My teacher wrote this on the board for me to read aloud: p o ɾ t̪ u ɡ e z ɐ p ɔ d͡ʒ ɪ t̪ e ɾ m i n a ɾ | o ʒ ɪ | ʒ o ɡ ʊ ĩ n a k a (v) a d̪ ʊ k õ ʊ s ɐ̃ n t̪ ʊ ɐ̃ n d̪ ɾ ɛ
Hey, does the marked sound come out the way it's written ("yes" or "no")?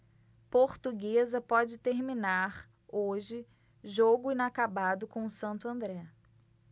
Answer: no